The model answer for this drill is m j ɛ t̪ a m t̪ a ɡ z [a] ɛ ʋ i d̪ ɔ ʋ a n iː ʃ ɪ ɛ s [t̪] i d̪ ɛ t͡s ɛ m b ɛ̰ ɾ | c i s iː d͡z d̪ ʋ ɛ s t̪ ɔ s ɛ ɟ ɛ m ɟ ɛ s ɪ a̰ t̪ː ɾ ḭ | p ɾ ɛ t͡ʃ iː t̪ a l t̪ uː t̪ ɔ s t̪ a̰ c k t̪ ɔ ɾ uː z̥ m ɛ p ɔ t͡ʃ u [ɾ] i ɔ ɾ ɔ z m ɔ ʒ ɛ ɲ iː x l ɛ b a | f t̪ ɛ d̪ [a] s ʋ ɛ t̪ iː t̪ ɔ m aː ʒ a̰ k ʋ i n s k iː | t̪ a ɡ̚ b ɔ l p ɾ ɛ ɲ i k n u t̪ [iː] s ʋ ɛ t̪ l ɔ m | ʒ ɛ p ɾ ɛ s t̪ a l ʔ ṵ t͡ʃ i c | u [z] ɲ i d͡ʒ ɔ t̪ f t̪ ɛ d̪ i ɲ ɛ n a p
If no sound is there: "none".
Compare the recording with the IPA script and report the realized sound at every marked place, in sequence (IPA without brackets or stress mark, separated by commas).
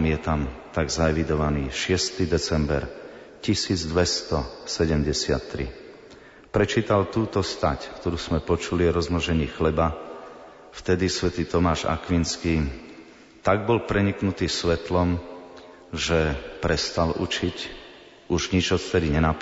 a, t̪, l, i, iː, ʒ